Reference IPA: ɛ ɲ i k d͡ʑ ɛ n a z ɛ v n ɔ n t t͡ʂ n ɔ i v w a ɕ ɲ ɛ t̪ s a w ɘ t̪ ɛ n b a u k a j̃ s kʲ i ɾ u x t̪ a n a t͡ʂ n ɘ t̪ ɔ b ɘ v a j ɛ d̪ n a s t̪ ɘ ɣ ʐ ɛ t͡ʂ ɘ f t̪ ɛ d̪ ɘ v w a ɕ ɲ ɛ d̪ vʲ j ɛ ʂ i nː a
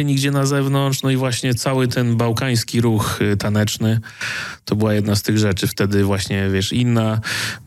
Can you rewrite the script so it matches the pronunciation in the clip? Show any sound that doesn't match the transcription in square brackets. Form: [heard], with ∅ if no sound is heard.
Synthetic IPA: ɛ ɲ i [ɡ] d͡ʑ ɛ n a z ɛ v n ɔ n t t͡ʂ n ɔ i v w a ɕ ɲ ɛ t̪ s a w ɘ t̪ ɛ n b a [w] k a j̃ s kʲ i ɾ u x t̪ a n [ɛ] t͡ʂ n ɘ t̪ ɔ b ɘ [w] a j ɛ d̪ n a s t̪ ɘ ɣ ʐ ɛ t͡ʂ ɘ f t̪ ɛ d̪ ɘ v w a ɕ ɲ ɛ [∅] vʲ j ɛ ʂ i nː a